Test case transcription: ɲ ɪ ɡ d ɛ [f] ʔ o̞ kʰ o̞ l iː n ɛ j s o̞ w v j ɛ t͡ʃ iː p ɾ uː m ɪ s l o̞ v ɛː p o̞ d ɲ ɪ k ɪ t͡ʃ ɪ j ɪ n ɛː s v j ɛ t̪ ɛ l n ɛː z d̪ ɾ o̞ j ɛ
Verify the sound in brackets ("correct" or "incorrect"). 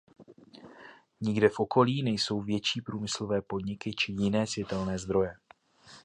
correct